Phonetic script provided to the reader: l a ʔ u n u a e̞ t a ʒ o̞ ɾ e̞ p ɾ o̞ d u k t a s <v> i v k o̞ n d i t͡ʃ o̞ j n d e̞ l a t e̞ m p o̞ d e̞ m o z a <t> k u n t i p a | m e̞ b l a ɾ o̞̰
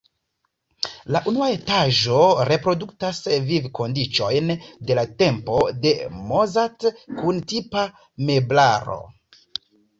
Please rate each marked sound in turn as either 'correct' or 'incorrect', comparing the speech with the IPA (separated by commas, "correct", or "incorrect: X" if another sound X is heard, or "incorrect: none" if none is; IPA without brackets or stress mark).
correct, correct